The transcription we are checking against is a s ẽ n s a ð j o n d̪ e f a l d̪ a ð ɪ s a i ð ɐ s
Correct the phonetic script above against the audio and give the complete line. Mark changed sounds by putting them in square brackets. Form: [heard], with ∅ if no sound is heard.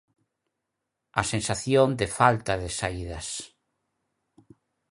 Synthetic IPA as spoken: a s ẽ n s a [θ] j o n d̪ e f a l [t̪] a ð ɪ s a i ð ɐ s

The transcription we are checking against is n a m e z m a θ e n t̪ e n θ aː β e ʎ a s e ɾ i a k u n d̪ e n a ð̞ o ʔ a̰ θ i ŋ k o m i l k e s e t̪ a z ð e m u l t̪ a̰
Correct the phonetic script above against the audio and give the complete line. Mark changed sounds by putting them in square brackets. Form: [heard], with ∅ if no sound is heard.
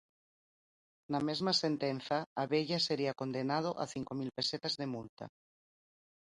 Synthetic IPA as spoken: n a m e z m a [s] e n t̪ e n θ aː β e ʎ a s e ɾ i a k [o] n d̪ e n a ð̞ o ʔ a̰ θ i ŋ k o m i l [p] e s e t̪ a z ð e m u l t̪ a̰

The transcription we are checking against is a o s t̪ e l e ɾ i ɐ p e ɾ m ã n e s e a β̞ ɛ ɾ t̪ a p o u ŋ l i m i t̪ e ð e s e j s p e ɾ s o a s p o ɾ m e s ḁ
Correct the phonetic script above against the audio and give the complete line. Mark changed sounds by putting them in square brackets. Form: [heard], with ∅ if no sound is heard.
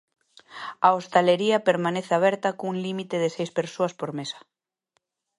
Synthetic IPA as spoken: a o s t̪ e l e ɾ i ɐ p e ɾ m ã n e [θ] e a β̞ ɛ ɾ t̪ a [k] o u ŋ l i m i t̪ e ð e s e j s p e ɾ s o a s p o ɾ m e s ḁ

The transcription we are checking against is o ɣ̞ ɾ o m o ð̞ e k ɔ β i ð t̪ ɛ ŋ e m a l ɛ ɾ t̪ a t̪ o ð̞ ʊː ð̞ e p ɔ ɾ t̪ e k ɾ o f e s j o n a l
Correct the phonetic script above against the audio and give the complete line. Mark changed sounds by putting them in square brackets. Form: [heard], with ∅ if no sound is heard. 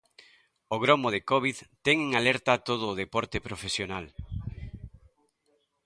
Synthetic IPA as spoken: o ɣ̞ ɾ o m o ð̞ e k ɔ β i ð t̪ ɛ ŋ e [ŋ] a l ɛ ɾ t̪ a t̪ o ð̞ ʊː ð̞ e p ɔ ɾ t̪ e [p] ɾ o f e s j o n a l

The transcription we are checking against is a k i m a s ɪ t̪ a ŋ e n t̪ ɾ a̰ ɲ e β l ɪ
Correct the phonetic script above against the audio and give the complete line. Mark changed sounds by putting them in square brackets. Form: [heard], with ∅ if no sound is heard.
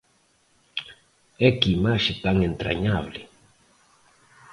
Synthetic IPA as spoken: [ɛ] k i m a [ʃ] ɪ t̪ a ŋ e n t̪ ɾ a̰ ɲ [a] β l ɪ

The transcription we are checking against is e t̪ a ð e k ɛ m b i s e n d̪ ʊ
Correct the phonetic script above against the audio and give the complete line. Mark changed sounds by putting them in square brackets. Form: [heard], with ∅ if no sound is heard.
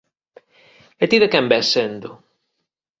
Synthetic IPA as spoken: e t̪ [i] ð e k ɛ m b [ɛ] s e n d̪ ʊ

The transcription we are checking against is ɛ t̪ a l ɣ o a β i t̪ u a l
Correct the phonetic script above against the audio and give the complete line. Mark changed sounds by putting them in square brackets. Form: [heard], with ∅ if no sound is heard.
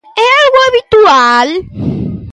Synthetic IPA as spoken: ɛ [∅] a l ɣ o a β i t̪ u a l

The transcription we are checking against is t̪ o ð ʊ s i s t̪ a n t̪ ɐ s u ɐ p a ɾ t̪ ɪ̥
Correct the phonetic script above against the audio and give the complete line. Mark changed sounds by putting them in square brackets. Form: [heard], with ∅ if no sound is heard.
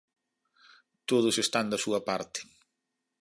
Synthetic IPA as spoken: t̪ o ð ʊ s [e] s t̪ a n [d̪] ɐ s u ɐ p a ɾ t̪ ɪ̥

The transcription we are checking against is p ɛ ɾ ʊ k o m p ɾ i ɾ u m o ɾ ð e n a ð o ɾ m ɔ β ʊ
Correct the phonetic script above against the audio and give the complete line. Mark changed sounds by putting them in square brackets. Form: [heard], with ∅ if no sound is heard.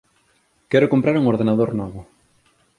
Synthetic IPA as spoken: [k] ɛ ɾ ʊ k o m p ɾ [a] ɾ u [ŋ] o ɾ ð e n a ð o ɾ [n] ɔ β ʊ

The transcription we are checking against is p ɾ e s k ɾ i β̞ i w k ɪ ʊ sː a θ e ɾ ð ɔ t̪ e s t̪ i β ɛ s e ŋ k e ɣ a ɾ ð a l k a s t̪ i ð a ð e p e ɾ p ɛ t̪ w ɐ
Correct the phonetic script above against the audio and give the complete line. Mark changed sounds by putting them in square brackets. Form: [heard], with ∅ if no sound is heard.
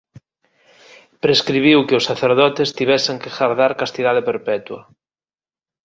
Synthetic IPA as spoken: p ɾ e s k ɾ i β̞ i w k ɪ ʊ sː a θ e ɾ ð ɔ t̪ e s t̪ i β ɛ s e ŋ k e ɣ a ɾ ð a [ɾ] k a s t̪ i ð a ð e p e ɾ p ɛ t̪ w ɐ

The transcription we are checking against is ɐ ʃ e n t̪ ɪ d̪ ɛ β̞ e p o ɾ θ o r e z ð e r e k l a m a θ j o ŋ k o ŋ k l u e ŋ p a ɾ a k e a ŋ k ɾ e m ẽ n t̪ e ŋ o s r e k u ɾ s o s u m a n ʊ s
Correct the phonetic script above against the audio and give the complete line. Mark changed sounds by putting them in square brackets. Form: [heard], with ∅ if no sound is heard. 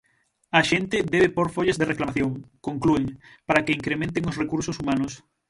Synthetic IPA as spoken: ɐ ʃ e n t̪ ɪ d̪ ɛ β̞ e p o ɾ [f] o [ʎ] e z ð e r e k l a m a θ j o ŋ k o ŋ k l u e ŋ p a ɾ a k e [i] ŋ k ɾ e m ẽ n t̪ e ŋ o s r e k u ɾ s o s u m a n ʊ s

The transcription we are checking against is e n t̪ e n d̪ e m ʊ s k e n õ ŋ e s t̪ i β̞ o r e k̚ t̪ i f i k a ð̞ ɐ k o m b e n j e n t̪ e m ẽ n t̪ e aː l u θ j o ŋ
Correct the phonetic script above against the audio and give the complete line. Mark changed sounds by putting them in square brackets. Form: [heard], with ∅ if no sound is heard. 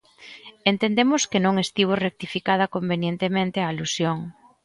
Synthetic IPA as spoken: e n t̪ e n d̪ e m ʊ s k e n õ ŋ e s t̪ i β̞ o r e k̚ t̪ i f i k a ð̞ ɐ k o m b e n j e n t̪ e m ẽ n t̪ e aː l u [s] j o ŋ

